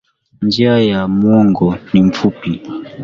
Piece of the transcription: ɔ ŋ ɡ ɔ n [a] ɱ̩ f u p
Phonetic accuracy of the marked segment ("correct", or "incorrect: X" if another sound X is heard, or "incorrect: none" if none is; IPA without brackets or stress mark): incorrect: i